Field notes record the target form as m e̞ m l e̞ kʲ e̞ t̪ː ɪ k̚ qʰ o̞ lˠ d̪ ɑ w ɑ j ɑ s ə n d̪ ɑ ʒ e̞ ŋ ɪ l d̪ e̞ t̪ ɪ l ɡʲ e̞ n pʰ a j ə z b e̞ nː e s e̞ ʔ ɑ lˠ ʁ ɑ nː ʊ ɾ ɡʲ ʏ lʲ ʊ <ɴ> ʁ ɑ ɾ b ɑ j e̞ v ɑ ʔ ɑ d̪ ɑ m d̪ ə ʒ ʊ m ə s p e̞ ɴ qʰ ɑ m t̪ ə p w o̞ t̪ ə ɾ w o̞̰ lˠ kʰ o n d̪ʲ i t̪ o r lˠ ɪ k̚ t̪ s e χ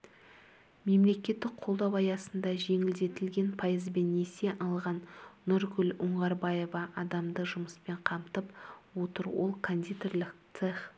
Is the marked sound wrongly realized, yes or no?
no